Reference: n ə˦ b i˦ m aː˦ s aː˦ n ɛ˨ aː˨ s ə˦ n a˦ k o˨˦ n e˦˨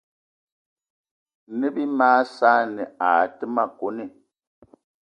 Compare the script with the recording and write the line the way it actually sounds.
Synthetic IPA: n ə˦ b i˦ m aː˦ s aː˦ n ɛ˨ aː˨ t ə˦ m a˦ k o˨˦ n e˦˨

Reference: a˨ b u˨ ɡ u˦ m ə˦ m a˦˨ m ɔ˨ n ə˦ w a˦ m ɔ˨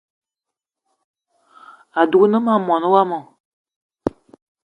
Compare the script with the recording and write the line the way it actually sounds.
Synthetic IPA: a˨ d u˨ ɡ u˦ n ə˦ m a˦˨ m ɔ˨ n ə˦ w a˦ m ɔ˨

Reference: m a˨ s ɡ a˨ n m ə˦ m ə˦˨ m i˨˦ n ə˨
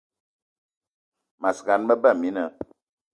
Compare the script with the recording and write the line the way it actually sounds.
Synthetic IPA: m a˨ s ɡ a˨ n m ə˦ b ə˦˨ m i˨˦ n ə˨

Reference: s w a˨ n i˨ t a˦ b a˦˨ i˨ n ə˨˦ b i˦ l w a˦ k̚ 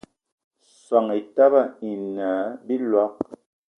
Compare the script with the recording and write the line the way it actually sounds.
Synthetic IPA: s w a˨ ŋ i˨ t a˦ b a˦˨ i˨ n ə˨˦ b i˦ l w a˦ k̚

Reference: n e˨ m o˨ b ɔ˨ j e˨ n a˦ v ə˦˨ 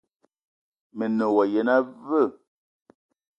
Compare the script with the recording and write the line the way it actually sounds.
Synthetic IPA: m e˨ n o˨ w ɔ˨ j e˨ n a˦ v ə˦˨

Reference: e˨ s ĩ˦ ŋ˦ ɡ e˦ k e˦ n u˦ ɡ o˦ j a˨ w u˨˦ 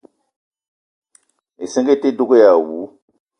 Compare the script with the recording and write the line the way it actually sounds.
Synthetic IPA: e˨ s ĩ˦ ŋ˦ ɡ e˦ t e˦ d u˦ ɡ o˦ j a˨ w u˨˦

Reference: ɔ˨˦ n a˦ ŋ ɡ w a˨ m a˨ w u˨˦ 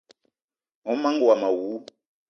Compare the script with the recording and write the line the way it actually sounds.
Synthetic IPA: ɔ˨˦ m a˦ ŋ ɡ w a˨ m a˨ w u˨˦

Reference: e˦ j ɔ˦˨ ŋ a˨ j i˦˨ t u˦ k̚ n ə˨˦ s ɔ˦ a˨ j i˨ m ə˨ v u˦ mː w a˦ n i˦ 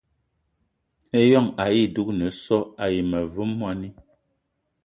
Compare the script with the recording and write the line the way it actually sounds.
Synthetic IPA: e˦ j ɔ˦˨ ŋ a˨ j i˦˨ d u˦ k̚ n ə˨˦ s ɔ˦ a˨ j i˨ m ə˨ v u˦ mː w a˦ n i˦

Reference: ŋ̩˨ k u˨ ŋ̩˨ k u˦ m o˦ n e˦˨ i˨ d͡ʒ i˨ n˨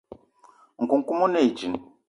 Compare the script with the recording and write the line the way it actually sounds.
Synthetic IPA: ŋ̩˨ k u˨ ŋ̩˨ k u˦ m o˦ n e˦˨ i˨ d͡ʒ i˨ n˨

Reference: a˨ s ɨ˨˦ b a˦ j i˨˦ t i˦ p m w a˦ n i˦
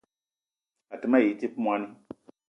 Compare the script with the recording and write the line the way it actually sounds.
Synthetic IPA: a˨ t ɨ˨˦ m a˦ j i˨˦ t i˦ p m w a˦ n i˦

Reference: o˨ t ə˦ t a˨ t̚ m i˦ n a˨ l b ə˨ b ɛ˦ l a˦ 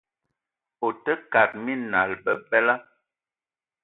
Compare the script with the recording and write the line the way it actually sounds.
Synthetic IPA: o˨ t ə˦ k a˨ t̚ m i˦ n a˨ l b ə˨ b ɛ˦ l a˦

